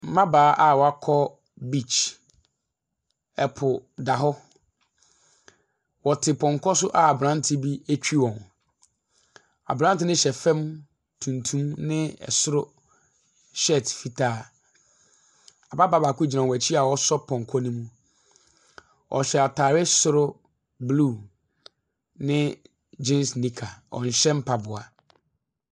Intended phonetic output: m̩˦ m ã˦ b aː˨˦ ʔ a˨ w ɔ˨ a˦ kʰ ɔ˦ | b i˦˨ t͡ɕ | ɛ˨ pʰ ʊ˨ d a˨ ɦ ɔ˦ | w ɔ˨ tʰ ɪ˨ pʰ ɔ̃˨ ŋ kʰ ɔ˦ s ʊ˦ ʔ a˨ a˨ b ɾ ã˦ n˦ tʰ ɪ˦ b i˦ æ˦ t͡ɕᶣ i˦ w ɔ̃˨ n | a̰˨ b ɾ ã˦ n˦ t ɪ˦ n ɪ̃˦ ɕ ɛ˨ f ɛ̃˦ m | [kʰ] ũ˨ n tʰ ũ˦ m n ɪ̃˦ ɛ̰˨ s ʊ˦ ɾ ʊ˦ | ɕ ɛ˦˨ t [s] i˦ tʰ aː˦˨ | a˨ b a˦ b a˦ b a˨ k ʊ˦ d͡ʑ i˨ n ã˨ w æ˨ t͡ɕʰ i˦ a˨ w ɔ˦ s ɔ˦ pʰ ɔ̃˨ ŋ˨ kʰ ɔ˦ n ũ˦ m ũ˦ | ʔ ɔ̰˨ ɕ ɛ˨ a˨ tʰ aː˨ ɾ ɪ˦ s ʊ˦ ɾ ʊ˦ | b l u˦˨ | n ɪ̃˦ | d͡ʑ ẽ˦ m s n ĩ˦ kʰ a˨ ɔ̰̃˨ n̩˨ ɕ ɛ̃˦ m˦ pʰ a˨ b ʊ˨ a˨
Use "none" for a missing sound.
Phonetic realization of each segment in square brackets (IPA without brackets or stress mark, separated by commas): tʰ, f